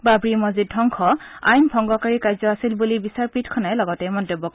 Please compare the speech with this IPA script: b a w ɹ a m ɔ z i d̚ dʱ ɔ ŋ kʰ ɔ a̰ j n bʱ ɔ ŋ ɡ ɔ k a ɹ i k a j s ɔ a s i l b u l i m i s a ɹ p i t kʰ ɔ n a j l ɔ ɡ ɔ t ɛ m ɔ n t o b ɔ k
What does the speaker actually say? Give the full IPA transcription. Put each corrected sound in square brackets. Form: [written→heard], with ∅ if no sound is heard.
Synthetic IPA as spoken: b a [w→b] ɹ [a→i] m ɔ z i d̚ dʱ ɔ ŋ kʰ ɔ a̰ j n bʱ ɔ ŋ ɡ ɔ k a ɹ i k a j [s→z] ɔ a s i l b u l i [m→b] i s a ɹ p i t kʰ ɔ n a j l ɔ ɡ ɔ t ɛ m ɔ n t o b ɔ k

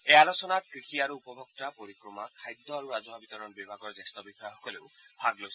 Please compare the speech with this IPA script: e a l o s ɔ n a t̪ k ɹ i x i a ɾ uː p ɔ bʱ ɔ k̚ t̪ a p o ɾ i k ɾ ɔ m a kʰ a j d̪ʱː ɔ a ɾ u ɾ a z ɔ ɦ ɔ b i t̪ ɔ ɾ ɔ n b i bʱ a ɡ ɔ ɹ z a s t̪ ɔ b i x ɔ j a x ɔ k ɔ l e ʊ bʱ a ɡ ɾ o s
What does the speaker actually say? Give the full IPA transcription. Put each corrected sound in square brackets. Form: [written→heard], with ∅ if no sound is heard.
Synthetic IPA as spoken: e a l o s ɔ n a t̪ k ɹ i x i a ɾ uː p ɔ bʱ ɔ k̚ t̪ a p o ɾ i k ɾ ɔ m a kʰ a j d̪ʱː ɔ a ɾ u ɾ a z ɔ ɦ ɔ b i t̪ ɔ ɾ ɔ n b i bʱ a ɡ ɔ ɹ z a s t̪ ɔ b i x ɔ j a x ɔ k ɔ l e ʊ bʱ a ɡ [ɾ→l] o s

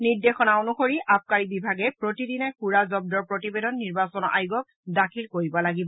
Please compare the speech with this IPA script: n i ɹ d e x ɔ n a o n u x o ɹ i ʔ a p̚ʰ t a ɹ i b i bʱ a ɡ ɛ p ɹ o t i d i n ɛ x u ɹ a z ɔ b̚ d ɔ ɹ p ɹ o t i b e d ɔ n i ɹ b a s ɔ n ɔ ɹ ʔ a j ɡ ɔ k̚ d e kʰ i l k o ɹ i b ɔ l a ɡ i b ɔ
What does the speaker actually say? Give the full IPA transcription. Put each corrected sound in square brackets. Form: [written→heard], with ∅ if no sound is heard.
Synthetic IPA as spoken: n i ɹ d e x ɔ n a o n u x o ɹ i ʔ a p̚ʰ [t→k] a ɹ i b i bʱ a ɡ ɛ p ɹ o t i d i n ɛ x u ɹ a z ɔ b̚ d ɔ ɹ p ɹ o t i b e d ɔ [n→nː] i ɹ b a s ɔ n ɔ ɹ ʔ a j ɡ ɔ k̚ d [e→a] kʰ i l k o ɹ i b ɔ l a ɡ i b ɔ

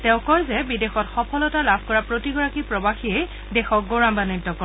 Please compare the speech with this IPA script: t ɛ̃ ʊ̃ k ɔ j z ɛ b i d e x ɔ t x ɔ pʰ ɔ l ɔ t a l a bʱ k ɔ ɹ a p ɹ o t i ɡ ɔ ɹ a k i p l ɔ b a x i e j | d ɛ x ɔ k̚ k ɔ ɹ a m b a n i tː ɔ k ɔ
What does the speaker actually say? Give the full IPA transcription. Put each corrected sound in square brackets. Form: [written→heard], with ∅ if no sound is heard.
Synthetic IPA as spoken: t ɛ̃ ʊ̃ k ɔ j z ɛ b i d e x ɔ t x ɔ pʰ ɔ l ɔ t a l a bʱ k ɔ ɹ a p ɹ o t i ɡ ɔ ɹ a k i p [l→ɹ] ɔ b a x i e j | d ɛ x ɔ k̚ [k→ɡ] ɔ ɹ a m b a n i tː ɔ k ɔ

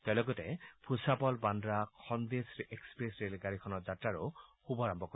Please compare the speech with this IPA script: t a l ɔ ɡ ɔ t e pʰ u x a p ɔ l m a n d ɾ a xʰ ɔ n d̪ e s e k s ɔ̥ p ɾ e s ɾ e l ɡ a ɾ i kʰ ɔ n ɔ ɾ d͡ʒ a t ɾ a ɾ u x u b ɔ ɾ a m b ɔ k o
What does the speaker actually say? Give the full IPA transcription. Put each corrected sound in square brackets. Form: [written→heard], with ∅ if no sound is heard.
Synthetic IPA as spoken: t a l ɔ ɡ ɔ t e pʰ u [x→s] a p ɔ l [m→b] a n d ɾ a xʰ ɔ n d̪ e s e k s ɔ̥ p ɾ e s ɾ e l ɡ a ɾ i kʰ ɔ n ɔ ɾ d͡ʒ a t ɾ a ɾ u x u b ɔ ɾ a m b ɔ k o

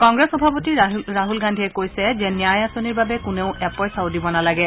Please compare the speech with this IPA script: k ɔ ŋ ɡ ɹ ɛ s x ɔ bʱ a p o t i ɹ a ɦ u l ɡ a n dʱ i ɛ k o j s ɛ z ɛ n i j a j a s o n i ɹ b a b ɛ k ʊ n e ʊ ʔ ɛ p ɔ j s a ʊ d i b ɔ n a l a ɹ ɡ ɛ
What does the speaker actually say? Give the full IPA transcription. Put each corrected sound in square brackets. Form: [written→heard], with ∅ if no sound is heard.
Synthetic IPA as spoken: k ɔ ŋ ɡ ɹ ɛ s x ɔ bʱ a p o t i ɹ a ɦ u l ɡ a n dʱ i ɛ k o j s ɛ z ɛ n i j a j a s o n i ɹ b a b ɛ k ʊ n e ʊ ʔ ɛ p ɔ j s a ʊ d i b ɔ n a l a [ɹ→∅] ɡ ɛ

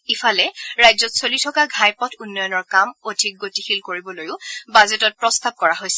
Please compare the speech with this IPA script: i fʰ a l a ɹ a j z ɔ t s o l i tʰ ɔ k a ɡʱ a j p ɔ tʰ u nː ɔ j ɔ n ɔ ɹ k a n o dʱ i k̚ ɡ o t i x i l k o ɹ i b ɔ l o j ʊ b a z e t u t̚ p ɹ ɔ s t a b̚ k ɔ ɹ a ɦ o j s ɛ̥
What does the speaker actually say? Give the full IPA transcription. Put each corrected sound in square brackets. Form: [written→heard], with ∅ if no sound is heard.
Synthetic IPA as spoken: i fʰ a l [a→ɛ] ɹ a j z ɔ t s o l i tʰ ɔ k a ɡʱ a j p ɔ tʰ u nː ɔ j ɔ n ɔ ɹ k a [n→m] o dʱ i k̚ ɡ o t i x i l k o ɹ i b ɔ l o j ʊ b a z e t [u→ɔ] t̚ p ɹ ɔ s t a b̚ k ɔ ɹ a ɦ o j s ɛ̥

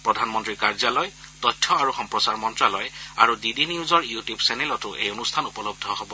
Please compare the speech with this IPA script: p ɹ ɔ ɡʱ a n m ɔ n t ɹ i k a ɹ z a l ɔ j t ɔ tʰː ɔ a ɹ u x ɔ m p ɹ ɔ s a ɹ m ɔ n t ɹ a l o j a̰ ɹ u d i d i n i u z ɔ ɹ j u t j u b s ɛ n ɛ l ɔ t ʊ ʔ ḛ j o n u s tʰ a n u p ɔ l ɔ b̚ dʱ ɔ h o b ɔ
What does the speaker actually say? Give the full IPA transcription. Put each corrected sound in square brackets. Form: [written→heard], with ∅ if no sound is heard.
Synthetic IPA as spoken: p ɹ ɔ [ɡʱ→dʱ] a n m ɔ n t ɹ i k a ɹ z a l ɔ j t ɔ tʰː ɔ a ɹ u x ɔ m p ɹ ɔ s a ɹ m ɔ n t ɹ a l [o→ɔ] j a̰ ɹ u d i d i n i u z ɔ ɹ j u t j u b s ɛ n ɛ l ɔ t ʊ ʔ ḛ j o n u s tʰ a n u p ɔ l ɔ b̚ dʱ ɔ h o b ɔ

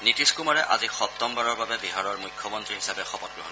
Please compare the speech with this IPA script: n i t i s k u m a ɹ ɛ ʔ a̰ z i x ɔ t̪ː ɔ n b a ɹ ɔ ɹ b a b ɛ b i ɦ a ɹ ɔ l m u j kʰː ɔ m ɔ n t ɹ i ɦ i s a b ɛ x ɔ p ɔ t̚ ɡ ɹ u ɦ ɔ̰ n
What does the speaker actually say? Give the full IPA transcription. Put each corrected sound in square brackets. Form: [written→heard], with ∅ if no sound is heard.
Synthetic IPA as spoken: n i t i s k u m a ɹ ɛ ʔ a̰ z i x ɔ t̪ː ɔ [n→m] b a ɹ ɔ ɹ b a b ɛ b i ɦ a ɹ ɔ [l→ɹ] m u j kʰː ɔ m ɔ n t ɹ i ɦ i s a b ɛ x ɔ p ɔ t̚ ɡ ɹ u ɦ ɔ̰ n

